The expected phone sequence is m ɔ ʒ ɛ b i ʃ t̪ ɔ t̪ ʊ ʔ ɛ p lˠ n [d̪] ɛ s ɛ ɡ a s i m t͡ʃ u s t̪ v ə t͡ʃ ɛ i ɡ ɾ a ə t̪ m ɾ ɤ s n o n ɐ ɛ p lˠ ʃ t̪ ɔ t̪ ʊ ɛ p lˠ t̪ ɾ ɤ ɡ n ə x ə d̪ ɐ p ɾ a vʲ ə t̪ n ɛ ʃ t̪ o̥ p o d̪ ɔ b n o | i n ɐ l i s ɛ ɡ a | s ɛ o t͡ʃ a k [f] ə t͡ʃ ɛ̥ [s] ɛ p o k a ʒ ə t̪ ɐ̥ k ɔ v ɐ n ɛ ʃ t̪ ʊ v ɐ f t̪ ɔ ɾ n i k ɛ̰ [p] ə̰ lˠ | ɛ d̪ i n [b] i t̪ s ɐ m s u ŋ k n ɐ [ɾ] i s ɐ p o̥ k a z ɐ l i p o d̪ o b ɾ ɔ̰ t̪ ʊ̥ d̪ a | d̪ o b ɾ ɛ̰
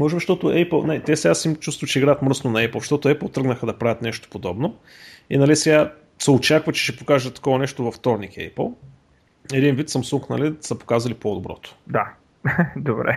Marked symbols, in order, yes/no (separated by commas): no, no, no, yes, no, no